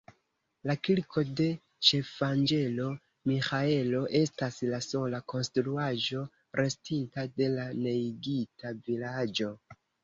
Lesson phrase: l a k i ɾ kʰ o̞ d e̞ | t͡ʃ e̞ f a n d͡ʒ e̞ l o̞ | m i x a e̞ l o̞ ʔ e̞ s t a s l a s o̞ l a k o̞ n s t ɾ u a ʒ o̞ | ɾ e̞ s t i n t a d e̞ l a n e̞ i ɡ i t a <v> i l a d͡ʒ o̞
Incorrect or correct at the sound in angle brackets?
correct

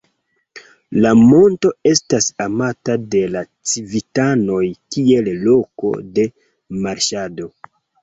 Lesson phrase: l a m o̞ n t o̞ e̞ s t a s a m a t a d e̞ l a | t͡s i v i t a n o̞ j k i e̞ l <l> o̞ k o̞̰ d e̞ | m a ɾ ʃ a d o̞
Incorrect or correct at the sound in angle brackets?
correct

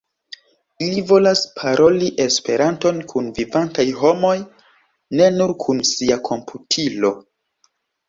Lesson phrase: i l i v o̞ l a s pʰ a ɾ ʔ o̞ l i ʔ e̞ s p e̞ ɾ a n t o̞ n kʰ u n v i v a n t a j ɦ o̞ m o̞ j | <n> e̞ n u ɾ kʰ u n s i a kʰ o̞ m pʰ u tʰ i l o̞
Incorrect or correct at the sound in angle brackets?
correct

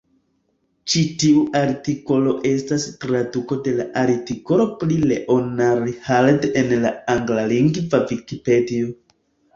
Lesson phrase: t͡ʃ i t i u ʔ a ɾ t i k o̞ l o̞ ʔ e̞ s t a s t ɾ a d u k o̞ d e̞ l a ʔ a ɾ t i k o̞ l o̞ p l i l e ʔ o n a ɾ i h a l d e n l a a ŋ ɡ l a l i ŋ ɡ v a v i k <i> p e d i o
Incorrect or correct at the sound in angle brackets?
correct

